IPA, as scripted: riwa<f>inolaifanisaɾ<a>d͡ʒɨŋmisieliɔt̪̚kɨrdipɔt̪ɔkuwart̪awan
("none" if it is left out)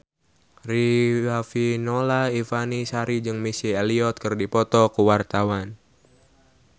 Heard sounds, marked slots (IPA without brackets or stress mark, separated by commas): f, i